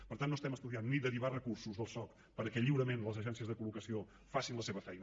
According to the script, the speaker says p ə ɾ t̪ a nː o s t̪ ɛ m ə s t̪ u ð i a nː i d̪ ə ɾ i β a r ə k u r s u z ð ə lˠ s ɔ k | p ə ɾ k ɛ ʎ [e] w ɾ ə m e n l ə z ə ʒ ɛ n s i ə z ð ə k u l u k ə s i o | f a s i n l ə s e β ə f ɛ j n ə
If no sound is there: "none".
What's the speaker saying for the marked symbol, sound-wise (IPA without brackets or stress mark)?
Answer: i